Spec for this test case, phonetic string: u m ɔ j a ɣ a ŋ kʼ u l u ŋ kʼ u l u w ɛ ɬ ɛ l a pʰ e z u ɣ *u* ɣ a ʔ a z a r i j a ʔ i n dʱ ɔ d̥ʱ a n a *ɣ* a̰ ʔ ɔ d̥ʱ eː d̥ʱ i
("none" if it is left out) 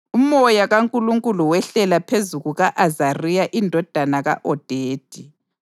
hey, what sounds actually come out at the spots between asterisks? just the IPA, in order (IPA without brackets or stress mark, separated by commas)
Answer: u, ɣ